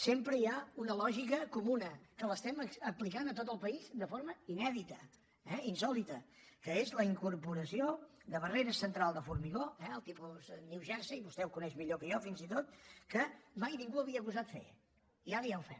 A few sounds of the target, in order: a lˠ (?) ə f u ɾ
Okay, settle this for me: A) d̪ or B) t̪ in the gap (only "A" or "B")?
A